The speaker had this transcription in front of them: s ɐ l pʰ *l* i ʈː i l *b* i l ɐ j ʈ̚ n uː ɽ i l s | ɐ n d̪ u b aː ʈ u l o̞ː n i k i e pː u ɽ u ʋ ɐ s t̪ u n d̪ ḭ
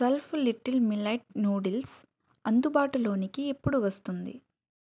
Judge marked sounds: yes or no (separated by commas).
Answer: yes, no